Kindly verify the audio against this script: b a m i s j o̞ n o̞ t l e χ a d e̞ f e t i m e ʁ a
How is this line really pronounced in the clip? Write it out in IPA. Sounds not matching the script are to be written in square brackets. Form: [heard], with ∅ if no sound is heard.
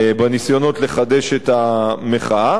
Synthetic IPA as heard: b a [n] i s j o̞ n o̞ t l e χ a d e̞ [ʃ] e t [a] m e [χ] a

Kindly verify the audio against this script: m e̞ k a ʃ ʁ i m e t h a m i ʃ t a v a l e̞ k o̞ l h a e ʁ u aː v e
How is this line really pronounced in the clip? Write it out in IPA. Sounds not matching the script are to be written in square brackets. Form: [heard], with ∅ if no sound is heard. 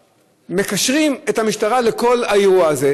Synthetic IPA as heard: m e̞ k a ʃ ʁ i m e t h a m i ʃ t a [ʁ] a l e̞ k o̞ l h a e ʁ u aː [z] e

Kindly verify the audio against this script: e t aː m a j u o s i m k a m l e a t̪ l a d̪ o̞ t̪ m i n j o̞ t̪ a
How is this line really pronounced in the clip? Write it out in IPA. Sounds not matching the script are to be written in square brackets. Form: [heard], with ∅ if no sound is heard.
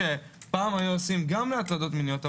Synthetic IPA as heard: e [p] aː m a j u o s i m [ɡ] a m l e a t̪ l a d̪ o̞ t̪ m i n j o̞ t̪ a

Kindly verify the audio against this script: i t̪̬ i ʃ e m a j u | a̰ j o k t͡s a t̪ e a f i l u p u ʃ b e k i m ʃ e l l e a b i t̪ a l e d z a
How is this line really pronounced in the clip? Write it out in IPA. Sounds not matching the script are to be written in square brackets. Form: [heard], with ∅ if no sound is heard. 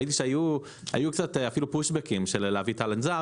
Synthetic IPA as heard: i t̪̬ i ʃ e [∅] a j u | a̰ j [u] k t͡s a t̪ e a f i l u p u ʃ b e k i m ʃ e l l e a [v] i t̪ a l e [n] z a

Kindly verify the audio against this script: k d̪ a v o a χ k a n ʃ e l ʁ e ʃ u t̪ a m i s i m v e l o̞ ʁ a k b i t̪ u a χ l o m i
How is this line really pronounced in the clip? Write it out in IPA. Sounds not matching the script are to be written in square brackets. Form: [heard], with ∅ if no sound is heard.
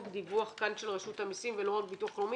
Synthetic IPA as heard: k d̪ [i] v [u] a χ k a n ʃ e l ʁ e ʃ u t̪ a m i s i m v e l o̞ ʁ a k b i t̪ u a χ l o m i

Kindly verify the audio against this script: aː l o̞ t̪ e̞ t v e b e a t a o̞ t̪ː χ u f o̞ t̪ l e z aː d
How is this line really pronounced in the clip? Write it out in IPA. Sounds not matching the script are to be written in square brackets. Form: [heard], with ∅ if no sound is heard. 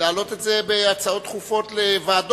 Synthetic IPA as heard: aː l o̞ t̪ e̞ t [z] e b e a [t͡s] a o̞ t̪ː χ u f o̞ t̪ l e [v] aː d

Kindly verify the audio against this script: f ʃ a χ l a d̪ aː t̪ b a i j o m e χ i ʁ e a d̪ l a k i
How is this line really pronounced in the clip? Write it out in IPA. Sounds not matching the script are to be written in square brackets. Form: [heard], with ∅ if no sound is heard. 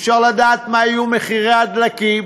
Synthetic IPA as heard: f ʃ a [ʁ] l a d̪ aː t̪ [m] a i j [u] m e χ i ʁ e a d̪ l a k i

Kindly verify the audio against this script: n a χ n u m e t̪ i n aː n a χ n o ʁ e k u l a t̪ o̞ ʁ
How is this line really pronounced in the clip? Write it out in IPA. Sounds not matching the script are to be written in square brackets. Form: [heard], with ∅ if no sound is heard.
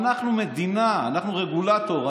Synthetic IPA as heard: n a χ n u m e [d̪] i n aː n a χ n [u] ʁ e [ɡ] u l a t̪ o̞ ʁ

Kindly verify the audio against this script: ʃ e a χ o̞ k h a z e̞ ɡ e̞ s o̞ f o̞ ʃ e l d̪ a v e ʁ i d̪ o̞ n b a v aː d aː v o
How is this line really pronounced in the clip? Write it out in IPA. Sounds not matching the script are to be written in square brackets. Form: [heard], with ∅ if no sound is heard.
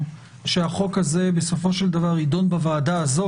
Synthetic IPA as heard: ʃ e a χ o̞ k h a z e̞ [b] e̞ s o̞ f o̞ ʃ e l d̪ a v [a] ʁ i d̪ o̞ n b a v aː d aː [z] o

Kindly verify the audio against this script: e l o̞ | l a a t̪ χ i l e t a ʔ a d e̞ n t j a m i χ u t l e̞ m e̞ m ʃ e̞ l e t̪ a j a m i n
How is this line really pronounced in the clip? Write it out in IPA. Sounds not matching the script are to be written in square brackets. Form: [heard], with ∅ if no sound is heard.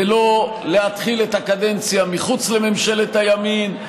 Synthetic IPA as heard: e l o̞ | l [e] a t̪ χ i l e t a [k] a d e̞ n [t͡s] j a m i χ u [t͡s] l e̞ m e̞ m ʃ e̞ l e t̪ a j a m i n

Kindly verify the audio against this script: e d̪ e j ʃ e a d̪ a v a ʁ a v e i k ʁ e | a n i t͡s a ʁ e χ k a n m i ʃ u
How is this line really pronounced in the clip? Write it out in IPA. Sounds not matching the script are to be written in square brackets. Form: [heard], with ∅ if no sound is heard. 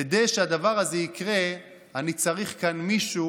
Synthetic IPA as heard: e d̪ e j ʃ e a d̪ a v a ʁ a [z] e i k ʁ e | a n i t͡s a ʁ [i] χ k a n m i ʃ u

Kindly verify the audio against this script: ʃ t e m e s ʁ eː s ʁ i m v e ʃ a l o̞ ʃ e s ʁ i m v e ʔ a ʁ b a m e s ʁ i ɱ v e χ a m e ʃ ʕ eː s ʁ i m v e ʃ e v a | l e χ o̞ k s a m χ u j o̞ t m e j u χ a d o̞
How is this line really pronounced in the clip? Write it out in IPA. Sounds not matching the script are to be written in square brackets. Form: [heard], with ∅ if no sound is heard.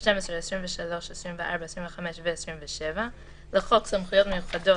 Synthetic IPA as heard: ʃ t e m e s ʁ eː s ʁ i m v e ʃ a l o̞ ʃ e s ʁ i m v e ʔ a ʁ b a [∅] e s ʁ i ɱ v e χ a m e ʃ [v] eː s ʁ i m v e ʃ e v a | l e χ o̞ k s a m χ u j o̞ t m e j u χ a d o̞

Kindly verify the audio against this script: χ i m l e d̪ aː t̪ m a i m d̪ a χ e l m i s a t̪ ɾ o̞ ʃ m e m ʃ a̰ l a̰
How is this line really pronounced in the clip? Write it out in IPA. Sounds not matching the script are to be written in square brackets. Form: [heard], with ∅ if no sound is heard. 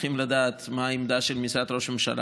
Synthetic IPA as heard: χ i m l [a] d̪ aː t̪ m a i m d̪ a [ʃ] e l m i s a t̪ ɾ o̞ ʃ m e m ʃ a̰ l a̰

